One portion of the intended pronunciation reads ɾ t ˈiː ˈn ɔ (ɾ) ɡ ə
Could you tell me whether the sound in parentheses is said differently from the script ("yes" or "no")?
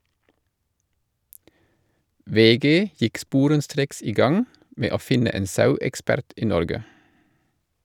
no